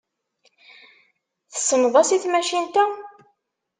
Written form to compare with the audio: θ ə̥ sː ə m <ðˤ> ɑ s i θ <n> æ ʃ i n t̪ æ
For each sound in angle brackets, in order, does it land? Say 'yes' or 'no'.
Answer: yes, no

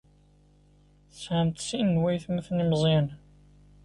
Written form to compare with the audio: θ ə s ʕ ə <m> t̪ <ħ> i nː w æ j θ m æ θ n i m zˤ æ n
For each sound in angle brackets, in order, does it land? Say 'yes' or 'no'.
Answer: yes, no

